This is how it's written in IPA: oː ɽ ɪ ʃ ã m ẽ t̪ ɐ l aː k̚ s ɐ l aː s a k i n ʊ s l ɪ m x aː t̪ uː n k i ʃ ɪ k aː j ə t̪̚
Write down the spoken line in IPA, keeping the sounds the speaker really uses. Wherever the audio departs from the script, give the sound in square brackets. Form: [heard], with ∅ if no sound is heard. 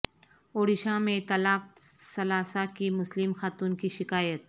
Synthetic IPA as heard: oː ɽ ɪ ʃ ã m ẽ t̪ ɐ l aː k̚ s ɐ l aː s a k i [m] ʊ s l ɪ m x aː t̪ uː n k i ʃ ɪ k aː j ə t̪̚

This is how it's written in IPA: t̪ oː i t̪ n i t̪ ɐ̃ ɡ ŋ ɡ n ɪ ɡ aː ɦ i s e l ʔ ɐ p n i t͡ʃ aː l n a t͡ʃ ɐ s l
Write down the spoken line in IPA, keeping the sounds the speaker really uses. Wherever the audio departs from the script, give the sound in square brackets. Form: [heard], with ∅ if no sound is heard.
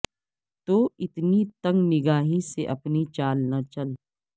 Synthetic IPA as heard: t̪ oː [ɪ] t̪ n i t̪ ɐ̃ [∅] ŋ ɡ n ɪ ɡ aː ɦ i s e [∅] ʔ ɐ p n i t͡ʃ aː l n a t͡ʃ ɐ [∅] l

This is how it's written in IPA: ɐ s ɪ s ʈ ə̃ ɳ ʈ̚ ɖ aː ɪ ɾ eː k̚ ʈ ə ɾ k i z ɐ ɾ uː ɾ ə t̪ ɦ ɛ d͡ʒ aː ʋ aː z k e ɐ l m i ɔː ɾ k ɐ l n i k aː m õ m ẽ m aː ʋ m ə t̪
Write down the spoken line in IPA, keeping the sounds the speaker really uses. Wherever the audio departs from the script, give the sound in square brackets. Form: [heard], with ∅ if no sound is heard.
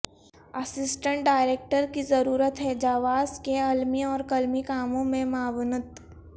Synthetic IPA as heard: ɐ s ɪ s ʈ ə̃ ɳ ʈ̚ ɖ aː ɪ ɾ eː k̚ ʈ ə ɾ k i z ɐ ɾ uː ɾ ə t̪ ɦ ɛ d͡ʒ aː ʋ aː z k e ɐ l m i ɔː ɾ k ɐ l [m] i k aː m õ m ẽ m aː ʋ [n] ə t̪

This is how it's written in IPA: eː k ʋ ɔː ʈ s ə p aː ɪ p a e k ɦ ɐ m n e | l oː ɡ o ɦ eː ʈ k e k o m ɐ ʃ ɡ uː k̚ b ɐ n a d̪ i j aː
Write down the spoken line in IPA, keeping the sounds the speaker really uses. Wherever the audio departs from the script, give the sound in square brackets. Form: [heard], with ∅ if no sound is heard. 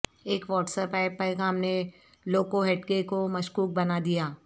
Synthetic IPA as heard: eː k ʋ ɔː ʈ s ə p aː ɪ p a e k ɦ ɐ m n e | l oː [k] o ɦ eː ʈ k e k o m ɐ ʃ [k] uː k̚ b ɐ n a d̪ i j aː

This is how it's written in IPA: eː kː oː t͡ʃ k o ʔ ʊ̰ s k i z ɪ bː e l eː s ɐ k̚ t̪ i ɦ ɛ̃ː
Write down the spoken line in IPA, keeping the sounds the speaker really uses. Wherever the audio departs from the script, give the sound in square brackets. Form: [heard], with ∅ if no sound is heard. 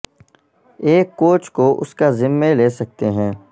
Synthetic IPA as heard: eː kː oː t͡ʃ k o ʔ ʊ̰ s k [a] z ɪ [mː] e l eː s ɐ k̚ t̪ [e] ɦ ɛ̃ː

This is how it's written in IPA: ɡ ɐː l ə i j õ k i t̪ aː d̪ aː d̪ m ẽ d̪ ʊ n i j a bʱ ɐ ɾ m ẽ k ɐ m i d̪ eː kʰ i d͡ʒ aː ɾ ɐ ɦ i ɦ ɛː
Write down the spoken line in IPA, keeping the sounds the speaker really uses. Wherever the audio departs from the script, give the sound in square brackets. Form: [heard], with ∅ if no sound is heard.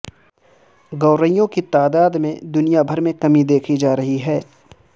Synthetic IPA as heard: ɡ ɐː [ɾ] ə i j õ k i t̪ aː d̪ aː d̪ m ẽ d̪ ʊ n i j a bʱ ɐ ɾ m ẽ k ɐ m i d̪ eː kʰ i d͡ʒ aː ɾ ɐ ɦ i ɦ ɛː

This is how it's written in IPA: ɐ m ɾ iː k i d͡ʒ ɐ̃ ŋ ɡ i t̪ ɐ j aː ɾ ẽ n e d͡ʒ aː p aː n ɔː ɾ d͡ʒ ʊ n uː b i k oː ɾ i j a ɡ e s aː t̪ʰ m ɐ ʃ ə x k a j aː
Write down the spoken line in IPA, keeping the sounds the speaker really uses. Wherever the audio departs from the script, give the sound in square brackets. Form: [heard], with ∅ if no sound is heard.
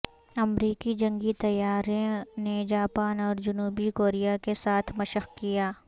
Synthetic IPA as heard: ɐ m ɾ iː k i d͡ʒ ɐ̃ ŋ ɡ i t̪ ɐ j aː ɾ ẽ n e d͡ʒ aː p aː n ɔː ɾ d͡ʒ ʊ n uː b i k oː ɾ i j a [k] e s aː t̪ʰ m ɐ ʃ ə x k [i] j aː

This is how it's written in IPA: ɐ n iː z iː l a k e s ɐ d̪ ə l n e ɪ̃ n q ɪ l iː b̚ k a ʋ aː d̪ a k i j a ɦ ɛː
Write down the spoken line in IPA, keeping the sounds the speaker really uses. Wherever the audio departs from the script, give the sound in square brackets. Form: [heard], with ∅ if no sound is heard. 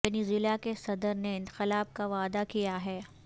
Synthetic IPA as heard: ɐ n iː z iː l a k e s ɐ d̪ ə [ɾ] n e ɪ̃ n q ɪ l [aː] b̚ k a ʋ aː d̪ a k i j a ɦ ɛː

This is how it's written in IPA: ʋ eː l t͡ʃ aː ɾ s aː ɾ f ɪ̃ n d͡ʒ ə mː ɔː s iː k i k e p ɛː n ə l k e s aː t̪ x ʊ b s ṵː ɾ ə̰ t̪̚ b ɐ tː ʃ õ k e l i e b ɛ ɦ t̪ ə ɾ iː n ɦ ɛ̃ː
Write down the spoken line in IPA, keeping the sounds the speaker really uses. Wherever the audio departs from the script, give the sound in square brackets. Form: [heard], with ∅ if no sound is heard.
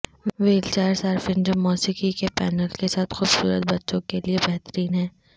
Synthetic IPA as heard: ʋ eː l t͡ʃ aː ɾ s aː ɾ f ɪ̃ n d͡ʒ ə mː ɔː s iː k i k e p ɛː n ə l k e s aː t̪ x ʊ b s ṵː ɾ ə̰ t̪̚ b ɐ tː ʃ õ k e l i e b ɛ ɦ t̪ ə ɾ iː n ɦ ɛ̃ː

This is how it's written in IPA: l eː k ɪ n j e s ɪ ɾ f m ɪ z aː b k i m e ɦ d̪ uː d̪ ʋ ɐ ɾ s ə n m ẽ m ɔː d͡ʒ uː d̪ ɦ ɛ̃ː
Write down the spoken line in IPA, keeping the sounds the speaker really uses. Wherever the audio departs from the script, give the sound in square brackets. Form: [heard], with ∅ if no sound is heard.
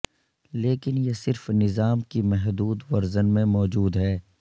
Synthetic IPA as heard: l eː k ɪ n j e s ɪ ɾ f [n] ɪ z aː [m] k i m [ɛ] ɦ d̪ uː d̪ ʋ ɐ ɾ [z] ə n m ẽ m ɔː d͡ʒ uː d̪ ɦ [ɛː]

